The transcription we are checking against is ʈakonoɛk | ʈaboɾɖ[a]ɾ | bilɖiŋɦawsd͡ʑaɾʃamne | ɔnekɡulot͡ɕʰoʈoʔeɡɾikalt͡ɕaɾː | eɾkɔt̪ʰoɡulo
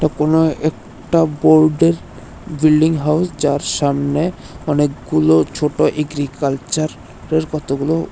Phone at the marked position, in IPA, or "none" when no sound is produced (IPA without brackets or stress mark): e